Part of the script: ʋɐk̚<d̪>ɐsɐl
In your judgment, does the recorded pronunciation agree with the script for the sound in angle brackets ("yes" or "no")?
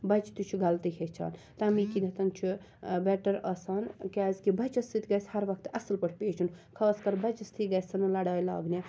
no